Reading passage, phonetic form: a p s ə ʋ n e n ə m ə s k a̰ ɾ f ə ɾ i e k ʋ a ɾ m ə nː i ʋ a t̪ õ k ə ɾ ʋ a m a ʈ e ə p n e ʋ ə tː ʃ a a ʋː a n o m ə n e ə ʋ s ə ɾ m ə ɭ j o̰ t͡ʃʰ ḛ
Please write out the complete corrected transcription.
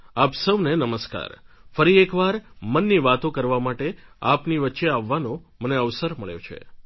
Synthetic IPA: a p s ə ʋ n e n ə m ə s k a̰ ɾ f ə ɾ i e k ʋ a ɾ m ə nː i ʋ a t̪ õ k ə ɾ ʋ a m a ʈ e a p n i ʋ ə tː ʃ e a ʋː a n o m ə n e ə ʋ s ə ɾ m ə ɭ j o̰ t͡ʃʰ ḛ